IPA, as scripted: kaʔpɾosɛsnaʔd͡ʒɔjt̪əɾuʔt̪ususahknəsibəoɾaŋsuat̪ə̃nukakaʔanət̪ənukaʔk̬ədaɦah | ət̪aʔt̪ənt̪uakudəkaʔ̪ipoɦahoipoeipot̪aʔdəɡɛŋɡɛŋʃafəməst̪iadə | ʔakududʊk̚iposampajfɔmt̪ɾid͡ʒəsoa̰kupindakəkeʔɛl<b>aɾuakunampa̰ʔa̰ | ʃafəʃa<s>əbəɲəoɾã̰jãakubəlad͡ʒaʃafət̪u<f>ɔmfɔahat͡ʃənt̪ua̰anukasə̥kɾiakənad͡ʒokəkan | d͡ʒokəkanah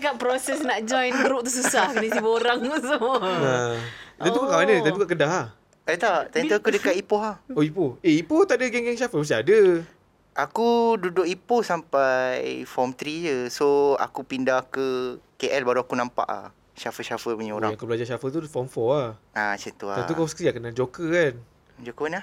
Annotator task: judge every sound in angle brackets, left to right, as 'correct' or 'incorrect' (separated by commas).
correct, incorrect, correct